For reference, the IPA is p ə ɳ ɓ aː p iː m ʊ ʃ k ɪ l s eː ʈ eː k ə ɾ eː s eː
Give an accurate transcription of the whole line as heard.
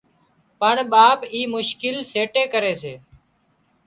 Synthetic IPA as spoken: p ə ɳ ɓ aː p iː m ʊ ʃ k ɪ l s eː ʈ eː k ə ɾ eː s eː